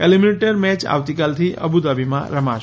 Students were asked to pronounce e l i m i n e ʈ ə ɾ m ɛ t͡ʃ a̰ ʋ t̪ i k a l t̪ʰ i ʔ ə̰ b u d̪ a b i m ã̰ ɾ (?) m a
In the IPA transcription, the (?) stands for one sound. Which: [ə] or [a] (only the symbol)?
ə